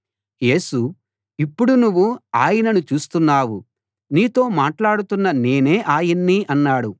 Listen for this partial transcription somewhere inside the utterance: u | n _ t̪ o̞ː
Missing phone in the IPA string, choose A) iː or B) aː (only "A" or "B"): A